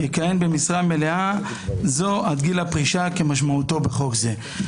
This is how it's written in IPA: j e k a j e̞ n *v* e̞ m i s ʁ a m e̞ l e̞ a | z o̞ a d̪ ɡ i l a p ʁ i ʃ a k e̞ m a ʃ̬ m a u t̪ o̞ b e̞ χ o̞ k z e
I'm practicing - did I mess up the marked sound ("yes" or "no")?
yes